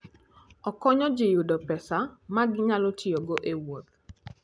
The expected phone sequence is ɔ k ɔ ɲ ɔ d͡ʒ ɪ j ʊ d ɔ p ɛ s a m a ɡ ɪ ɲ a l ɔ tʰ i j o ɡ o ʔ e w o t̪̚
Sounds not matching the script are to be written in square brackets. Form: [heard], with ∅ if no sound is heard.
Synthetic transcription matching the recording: ɔ k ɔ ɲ ɔ d͡ʒ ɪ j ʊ d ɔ p ɛ s a m a ɡ ɪ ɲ a l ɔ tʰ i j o ɡ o ʔ e w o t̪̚